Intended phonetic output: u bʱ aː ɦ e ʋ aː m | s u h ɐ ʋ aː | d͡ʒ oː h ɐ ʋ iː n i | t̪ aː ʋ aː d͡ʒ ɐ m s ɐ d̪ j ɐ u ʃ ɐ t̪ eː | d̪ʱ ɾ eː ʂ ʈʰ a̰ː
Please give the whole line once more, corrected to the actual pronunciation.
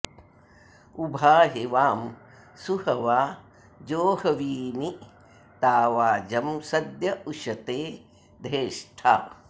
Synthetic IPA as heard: u bʱ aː ɦ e ʋ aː m | s u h ɐ ʋ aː | d͡ʒ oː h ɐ ʋ iː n i | t̪ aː ʋ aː d͡ʒ ɐ m s ɐ d̪ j ɐ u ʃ ɐ t̪ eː | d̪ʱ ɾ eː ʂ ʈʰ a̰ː